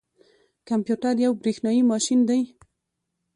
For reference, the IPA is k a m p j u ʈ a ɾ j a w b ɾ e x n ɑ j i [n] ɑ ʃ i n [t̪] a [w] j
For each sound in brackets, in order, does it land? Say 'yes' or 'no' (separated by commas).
no, no, no